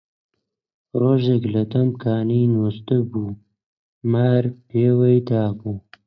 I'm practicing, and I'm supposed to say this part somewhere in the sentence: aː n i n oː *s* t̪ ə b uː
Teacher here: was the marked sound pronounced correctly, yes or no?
yes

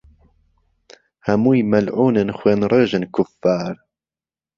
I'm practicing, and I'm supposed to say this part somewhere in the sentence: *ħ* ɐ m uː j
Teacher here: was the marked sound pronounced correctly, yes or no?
no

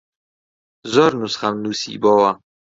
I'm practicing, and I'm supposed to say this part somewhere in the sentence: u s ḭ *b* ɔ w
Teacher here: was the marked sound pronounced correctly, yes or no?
yes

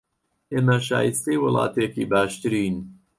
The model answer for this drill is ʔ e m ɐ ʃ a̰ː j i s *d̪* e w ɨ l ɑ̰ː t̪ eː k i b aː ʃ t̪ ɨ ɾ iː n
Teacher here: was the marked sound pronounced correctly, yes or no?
no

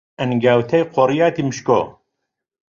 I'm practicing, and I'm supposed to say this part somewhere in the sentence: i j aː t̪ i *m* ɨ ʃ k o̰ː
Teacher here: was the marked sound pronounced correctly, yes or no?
yes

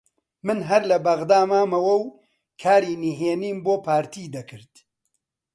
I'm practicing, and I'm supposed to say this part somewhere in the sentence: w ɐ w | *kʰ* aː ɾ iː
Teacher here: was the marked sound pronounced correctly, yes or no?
yes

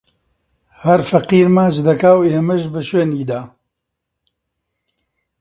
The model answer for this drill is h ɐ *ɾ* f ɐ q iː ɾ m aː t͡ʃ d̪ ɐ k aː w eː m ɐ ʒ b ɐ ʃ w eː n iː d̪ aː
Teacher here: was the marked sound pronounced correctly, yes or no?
yes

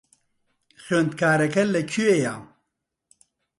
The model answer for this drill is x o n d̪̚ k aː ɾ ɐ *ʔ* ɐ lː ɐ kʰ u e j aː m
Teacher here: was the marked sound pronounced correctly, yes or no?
no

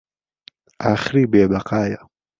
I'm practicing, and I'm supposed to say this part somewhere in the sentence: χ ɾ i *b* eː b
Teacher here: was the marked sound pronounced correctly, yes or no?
yes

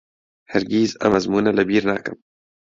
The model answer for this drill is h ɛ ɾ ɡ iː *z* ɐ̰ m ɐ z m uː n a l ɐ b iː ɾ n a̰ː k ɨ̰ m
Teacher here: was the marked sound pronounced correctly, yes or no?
yes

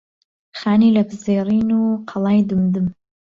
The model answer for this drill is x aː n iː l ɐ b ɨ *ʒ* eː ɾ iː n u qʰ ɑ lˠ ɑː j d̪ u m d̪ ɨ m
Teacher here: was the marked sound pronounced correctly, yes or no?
no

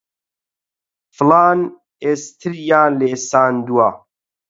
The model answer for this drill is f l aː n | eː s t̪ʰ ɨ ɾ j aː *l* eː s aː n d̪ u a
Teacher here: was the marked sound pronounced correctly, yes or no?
yes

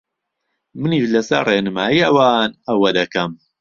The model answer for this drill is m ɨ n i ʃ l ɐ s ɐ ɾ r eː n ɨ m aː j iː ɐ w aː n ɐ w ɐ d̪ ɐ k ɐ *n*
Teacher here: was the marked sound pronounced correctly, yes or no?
no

